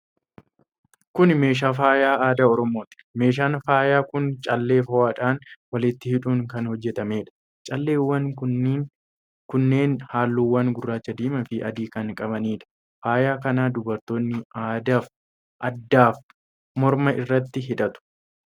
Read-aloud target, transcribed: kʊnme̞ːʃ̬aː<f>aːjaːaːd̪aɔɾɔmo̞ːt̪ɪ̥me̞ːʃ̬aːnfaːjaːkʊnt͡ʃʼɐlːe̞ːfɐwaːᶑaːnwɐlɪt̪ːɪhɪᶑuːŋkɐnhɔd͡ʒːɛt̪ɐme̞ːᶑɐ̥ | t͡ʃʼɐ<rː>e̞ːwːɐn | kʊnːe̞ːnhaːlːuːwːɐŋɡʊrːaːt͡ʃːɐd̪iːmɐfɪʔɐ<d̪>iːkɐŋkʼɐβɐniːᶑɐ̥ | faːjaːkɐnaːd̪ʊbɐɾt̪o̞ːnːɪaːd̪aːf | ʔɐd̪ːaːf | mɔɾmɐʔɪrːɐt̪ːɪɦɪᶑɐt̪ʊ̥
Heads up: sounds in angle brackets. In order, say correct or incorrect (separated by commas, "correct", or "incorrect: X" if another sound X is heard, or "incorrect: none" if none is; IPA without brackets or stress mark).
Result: correct, incorrect: lː, correct